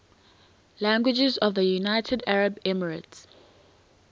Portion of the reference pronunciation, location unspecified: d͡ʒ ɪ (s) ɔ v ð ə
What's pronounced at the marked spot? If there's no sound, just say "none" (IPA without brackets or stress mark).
z